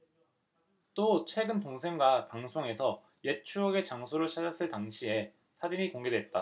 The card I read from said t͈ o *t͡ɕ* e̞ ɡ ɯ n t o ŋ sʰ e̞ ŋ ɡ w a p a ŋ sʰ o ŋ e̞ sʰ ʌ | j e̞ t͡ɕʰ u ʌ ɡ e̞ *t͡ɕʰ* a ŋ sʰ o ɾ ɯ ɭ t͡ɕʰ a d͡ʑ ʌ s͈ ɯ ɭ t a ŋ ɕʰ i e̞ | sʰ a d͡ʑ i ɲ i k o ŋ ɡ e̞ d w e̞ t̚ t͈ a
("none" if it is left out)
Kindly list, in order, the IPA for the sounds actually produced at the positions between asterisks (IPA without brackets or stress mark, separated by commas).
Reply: t͡ɕʰ, t͡ɕ